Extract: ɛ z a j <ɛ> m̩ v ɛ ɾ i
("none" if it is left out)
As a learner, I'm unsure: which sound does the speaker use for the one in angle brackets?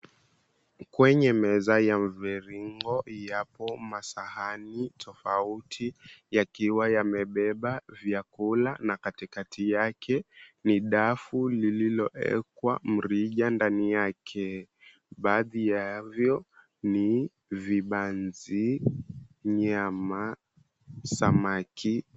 a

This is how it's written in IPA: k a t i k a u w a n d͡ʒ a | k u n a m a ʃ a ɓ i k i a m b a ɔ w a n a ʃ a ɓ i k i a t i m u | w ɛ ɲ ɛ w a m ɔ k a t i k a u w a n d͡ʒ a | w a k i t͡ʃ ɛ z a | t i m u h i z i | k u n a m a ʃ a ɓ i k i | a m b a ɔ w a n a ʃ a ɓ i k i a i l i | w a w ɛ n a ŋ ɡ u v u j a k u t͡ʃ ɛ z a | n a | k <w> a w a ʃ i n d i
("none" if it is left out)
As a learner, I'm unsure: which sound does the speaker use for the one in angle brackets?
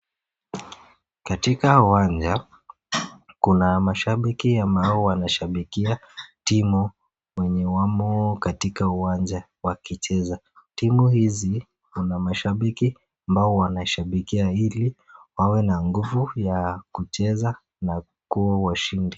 u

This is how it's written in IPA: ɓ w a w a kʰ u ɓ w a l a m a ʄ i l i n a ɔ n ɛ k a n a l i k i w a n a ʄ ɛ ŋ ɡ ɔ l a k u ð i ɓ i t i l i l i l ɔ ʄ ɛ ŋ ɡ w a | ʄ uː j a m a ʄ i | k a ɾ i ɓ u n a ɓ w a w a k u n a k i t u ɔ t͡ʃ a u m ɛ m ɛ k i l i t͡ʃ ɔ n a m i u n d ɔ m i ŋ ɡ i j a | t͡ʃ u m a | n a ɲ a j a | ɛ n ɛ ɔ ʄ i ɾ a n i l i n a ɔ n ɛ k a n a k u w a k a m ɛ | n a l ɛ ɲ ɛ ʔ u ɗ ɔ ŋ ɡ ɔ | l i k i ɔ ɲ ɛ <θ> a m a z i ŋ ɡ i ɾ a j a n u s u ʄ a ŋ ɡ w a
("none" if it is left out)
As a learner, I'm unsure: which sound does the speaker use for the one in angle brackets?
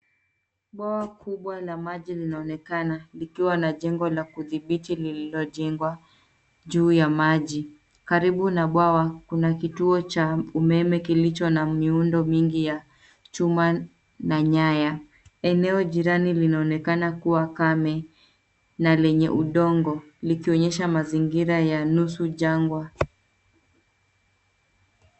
ʃ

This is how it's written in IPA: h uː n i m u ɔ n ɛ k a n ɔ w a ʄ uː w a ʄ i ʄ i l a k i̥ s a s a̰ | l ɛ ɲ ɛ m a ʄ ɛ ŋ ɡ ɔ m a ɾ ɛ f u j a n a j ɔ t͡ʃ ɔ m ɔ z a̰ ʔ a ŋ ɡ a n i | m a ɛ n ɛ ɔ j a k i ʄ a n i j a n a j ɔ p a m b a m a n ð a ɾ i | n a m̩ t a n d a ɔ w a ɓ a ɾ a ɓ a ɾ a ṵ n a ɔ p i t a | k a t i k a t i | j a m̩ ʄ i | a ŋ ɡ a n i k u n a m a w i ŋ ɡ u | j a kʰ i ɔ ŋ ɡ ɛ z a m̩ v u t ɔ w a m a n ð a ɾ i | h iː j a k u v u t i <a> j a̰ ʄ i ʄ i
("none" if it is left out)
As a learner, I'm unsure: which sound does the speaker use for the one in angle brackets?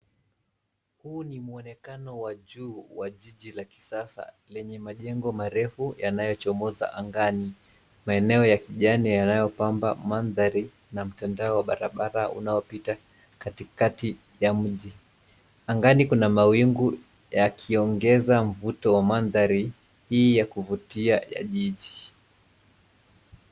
a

